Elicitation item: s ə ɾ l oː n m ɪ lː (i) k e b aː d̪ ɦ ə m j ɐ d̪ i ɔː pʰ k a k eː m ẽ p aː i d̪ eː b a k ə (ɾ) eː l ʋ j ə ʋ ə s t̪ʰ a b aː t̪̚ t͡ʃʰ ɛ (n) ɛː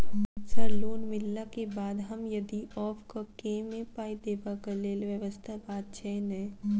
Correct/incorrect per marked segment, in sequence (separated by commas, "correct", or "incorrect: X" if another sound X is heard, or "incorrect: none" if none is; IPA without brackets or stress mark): incorrect: a, incorrect: l, correct